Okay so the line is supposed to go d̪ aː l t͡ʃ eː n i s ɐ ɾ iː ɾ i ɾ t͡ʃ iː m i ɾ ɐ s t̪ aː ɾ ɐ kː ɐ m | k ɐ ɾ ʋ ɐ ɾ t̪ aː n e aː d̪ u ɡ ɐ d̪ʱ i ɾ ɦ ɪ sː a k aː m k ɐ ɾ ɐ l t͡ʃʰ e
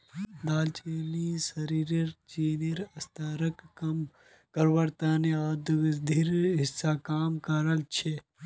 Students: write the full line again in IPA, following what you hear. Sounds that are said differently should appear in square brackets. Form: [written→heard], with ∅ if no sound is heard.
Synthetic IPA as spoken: d̪ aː l t͡ʃ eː n i s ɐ ɾ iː ɾ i ɾ t͡ʃ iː [m→n] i ɾ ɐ s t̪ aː ɾ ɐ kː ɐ m | k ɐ ɾ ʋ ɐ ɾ t̪ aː n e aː d̪ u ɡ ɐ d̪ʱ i ɾ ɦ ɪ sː a k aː m k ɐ ɾ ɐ l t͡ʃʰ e